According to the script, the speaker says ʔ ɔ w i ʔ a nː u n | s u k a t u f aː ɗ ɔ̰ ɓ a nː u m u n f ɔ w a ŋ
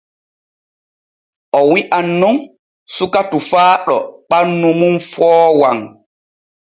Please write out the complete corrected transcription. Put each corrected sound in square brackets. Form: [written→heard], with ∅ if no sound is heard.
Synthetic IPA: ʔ ɔ w i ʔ a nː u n | s u k a t u f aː ɗ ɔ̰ ɓ a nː u m u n f [ɔ→ɔː] w a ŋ